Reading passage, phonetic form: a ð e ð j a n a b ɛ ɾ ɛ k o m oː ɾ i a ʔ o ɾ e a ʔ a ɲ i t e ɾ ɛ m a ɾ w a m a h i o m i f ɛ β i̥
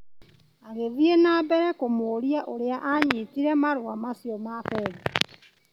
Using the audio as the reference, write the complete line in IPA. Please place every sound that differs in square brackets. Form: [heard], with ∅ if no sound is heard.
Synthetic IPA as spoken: a [ɣ] e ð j [e] n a b ɛ ɾ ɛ k o m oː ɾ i a ʔ o ɾ e a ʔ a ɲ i t [i] ɾ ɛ m a ɾ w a m a [s] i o m [a] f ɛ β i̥